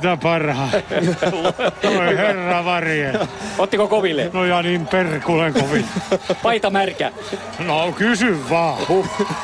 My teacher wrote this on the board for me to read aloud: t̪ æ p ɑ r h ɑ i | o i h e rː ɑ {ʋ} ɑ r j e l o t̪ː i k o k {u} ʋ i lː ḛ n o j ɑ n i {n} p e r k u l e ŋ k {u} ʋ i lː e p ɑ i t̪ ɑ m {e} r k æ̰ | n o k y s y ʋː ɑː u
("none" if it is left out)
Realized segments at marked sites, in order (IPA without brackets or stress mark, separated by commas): ʋ, o, m, o, æ